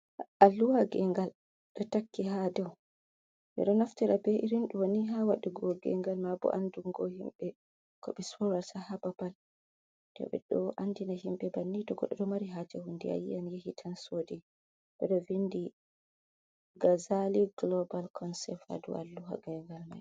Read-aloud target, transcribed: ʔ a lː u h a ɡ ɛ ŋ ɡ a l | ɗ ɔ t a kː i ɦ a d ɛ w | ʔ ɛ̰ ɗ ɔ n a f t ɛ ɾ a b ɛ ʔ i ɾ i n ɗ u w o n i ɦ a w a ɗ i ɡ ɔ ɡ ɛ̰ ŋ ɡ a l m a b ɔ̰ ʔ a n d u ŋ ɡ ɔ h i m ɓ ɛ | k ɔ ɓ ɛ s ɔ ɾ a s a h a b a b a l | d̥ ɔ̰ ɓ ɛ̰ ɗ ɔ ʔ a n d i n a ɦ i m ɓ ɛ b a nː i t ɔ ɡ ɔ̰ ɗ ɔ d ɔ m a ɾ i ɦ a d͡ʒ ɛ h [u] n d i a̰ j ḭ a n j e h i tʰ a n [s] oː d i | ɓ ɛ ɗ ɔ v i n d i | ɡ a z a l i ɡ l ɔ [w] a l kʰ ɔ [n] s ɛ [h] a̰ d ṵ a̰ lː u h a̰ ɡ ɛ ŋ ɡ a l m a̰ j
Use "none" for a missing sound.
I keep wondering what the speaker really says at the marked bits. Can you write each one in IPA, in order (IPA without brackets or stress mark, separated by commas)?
u, s, b, n, f